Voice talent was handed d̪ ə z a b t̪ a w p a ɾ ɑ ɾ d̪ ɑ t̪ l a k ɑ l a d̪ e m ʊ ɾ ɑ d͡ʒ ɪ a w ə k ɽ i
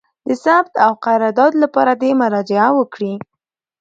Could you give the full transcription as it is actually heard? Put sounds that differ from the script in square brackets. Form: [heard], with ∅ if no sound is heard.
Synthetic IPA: d̪ ə [s] a b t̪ a w [q] a ɾ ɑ ɾ d̪ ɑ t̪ l a [p] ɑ [ɾ] a d̪ e m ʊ ɾ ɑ d͡ʒ ɪ a w ə k ɽ i